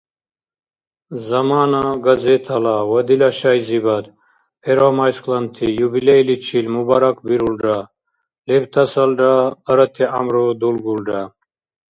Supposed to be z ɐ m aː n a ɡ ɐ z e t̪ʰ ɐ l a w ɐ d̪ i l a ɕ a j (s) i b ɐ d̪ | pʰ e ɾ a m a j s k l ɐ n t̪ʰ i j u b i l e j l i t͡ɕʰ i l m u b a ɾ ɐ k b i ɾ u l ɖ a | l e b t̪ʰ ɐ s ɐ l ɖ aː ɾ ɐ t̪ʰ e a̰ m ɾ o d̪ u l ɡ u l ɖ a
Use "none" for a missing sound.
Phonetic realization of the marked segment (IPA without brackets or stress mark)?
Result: z